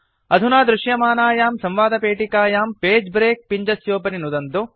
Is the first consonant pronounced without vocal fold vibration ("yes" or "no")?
no